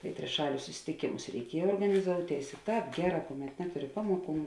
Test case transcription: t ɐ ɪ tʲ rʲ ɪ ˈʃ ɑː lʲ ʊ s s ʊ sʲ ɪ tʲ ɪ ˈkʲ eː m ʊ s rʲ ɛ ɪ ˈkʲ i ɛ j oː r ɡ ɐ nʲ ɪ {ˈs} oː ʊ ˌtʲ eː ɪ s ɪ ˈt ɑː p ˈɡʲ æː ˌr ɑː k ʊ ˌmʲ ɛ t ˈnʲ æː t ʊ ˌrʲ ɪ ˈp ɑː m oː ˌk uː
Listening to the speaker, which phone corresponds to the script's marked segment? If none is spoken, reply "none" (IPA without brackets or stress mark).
z